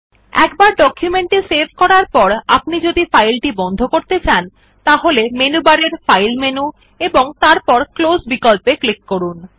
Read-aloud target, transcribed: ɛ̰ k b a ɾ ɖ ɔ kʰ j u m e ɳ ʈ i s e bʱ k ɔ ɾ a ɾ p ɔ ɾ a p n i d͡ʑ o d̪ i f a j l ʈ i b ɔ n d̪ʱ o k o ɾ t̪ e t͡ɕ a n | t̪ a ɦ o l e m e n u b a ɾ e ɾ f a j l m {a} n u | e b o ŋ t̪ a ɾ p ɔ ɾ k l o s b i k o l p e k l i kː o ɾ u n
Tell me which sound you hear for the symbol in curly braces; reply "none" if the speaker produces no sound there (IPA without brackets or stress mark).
e